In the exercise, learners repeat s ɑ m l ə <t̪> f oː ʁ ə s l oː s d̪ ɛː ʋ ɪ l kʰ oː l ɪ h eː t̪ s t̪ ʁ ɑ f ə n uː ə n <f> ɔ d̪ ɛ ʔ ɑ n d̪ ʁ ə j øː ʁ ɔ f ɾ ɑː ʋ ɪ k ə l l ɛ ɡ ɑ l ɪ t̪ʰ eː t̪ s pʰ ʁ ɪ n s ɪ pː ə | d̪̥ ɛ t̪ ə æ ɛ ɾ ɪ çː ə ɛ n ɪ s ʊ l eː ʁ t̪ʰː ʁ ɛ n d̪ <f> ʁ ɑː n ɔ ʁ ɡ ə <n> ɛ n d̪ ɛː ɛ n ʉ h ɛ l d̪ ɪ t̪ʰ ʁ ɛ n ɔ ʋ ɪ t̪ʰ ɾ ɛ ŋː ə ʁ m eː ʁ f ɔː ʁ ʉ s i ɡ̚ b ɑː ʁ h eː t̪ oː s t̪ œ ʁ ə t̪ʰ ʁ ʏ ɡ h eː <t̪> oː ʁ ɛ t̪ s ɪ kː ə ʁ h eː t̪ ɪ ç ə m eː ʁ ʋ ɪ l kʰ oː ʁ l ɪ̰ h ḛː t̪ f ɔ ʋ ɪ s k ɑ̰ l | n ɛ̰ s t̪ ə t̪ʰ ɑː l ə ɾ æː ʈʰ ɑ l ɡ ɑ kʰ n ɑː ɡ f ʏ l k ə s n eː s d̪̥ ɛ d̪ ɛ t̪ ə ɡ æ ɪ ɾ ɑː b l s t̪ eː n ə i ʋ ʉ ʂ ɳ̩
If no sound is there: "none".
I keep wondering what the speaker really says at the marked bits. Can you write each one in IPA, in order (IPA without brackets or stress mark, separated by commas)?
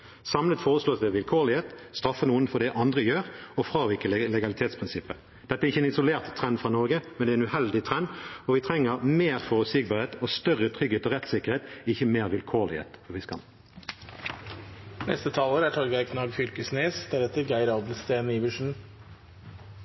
t̪, f, f, m, t̪